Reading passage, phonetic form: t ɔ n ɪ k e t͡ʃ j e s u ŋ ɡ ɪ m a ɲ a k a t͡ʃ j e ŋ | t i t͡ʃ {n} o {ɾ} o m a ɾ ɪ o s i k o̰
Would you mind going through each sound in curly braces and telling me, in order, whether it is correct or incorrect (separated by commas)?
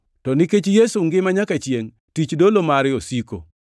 incorrect, incorrect